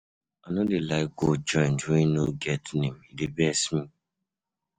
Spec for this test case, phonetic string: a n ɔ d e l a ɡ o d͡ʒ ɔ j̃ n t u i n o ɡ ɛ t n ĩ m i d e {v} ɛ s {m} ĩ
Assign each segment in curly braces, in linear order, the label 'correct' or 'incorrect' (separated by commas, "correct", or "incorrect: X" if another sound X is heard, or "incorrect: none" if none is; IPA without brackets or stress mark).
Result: incorrect: b, correct